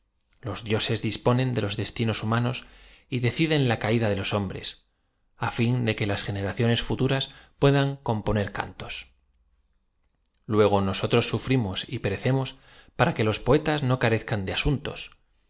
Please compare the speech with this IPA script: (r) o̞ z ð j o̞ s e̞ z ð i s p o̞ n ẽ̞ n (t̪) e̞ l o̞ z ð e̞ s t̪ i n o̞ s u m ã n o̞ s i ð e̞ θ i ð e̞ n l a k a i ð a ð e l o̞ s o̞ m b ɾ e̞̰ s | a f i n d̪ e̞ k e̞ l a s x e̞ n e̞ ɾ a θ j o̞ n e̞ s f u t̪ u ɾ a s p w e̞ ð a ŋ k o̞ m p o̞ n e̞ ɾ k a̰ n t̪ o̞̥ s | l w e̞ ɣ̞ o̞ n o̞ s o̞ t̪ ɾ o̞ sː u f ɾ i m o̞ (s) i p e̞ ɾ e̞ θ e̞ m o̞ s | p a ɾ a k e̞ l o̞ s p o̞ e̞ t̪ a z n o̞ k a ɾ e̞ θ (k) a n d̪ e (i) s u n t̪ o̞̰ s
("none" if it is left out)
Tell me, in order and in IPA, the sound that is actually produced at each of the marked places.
l, d̪, s, k, a

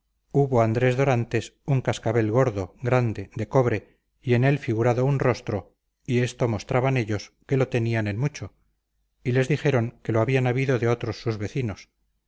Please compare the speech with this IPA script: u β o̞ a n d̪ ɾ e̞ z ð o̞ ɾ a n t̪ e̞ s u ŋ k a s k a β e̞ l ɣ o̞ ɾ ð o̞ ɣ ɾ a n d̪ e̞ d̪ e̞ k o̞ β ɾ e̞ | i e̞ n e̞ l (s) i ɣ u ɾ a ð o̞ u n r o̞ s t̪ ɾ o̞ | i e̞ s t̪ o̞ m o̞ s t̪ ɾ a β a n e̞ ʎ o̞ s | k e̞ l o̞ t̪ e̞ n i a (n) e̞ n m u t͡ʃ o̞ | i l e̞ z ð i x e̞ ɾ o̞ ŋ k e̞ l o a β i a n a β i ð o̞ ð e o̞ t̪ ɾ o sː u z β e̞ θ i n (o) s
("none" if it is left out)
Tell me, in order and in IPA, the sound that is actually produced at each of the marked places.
f, n, o

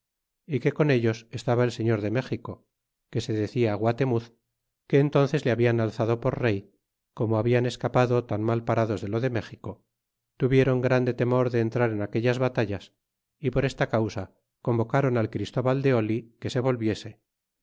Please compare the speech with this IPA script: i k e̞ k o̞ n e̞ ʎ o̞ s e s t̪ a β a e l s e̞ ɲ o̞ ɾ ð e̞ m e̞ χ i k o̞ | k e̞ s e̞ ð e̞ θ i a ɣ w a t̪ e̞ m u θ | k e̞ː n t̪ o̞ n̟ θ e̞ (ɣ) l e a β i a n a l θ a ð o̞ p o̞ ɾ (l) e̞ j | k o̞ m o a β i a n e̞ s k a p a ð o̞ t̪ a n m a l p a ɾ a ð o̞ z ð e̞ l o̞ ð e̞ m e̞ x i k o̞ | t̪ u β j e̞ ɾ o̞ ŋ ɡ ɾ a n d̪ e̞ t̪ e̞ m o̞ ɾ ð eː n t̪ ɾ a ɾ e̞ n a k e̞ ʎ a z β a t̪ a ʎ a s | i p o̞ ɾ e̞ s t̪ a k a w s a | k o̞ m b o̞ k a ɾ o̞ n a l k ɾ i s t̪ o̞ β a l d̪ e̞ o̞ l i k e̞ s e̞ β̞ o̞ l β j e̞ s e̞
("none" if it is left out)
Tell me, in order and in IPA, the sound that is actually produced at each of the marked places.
z, r

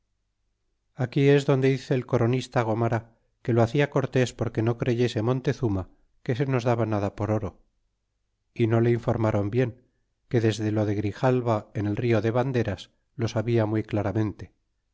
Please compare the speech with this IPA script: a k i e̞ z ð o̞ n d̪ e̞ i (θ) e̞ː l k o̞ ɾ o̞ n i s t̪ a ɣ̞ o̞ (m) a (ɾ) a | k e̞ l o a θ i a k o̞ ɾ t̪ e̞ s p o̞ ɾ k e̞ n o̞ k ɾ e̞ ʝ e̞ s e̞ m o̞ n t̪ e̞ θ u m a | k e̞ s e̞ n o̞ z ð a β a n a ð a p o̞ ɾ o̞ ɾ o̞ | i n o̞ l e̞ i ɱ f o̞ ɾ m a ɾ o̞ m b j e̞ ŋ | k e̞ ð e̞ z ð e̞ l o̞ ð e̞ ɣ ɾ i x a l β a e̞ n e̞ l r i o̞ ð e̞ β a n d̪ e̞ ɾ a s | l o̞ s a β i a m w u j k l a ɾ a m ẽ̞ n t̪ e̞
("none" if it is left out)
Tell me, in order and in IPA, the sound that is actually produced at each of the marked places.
θ, m, ɾ

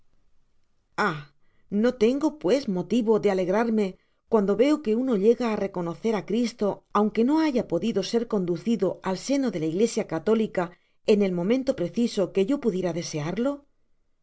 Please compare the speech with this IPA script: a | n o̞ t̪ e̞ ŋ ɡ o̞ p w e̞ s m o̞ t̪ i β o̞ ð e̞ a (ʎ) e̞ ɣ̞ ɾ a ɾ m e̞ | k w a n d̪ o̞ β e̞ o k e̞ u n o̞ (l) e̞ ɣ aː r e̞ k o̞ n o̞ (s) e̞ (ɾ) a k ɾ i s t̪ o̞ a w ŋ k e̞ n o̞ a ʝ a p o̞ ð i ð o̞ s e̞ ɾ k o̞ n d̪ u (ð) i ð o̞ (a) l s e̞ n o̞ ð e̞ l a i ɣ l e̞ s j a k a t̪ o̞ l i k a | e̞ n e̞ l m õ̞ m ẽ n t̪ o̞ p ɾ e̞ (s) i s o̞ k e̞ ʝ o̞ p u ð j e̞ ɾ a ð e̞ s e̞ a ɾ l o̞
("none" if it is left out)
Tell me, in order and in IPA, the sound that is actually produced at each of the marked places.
l, ʎ, θ, ɾ, θ, a, θ

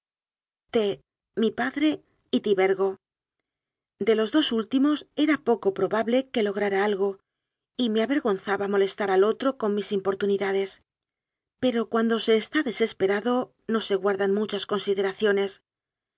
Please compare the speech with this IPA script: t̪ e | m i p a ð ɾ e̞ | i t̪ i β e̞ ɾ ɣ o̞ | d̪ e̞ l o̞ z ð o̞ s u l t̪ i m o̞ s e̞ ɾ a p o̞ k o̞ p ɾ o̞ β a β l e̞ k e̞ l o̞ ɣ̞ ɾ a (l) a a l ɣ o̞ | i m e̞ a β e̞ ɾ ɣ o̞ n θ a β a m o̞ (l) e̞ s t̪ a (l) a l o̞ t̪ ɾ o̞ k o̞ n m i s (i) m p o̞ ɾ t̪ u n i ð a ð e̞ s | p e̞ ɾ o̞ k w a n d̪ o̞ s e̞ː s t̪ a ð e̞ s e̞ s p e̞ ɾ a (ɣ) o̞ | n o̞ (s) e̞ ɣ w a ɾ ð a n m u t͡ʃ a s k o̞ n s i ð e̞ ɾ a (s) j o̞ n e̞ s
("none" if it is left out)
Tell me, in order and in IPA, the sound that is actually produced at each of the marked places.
ɾ, l, ɾ, i, ð, s, θ

